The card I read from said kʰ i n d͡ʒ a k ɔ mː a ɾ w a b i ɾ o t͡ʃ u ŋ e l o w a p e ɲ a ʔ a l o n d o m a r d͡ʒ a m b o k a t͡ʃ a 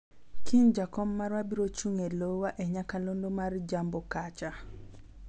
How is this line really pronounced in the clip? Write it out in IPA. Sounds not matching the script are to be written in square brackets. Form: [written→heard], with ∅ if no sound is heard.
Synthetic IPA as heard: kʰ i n d͡ʒ a k ɔ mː a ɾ w a b i ɾ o t͡ʃ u ŋ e l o w a [p→ʔ] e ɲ a [ʔ→k] a l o n d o m a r d͡ʒ a m b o k a t͡ʃ a